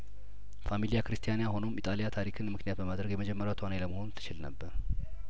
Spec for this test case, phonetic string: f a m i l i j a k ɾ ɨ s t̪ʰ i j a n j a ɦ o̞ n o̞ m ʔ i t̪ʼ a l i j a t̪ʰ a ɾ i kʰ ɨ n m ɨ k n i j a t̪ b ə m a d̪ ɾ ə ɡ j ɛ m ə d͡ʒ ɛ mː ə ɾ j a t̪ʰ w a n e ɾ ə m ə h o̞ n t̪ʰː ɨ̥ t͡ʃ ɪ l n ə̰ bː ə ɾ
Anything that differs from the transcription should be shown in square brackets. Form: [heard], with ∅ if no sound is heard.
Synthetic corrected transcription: f a m i l i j a k ɾ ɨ s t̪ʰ i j a n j a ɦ o̞ n o̞ m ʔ i t̪ʼ a l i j a t̪ʰ a ɾ i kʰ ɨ n m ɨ k n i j a t̪ b ə m a d̪ ɾ ə ɡ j ɛ m ə d͡ʒ ɛ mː ə ɾ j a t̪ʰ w a n e [l] ə m ə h o̞ n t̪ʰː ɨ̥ t͡ʃ ɪ l n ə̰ bː ə ɾ